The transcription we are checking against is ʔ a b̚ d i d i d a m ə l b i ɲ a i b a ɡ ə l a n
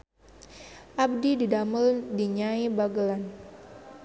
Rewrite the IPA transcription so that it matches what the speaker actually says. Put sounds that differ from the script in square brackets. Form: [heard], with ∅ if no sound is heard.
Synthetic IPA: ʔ a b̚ d i d i d a m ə l [d] i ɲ a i b a ɡ ə l a n